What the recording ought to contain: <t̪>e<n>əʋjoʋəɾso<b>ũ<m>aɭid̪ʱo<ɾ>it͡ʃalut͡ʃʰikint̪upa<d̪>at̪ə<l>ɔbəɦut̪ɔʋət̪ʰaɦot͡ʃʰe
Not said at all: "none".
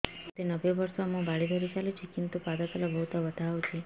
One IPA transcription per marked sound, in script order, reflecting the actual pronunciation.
t̪, n, m, b, ɾ, d̪, l

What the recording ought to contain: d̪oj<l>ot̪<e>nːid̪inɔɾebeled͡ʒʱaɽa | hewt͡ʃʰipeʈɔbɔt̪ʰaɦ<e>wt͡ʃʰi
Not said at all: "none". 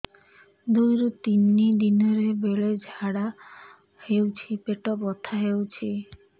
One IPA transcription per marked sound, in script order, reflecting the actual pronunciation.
ɾ, i, e

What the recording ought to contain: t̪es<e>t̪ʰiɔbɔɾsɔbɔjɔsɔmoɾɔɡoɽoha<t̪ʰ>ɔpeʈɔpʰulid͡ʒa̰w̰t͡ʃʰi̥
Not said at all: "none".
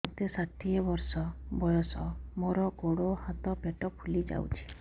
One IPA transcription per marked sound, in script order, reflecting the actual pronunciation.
a, t̪

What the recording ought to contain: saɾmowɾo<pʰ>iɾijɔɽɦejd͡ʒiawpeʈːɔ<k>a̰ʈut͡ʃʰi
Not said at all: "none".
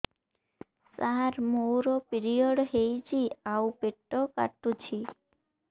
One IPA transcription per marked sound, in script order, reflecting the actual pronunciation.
p, k

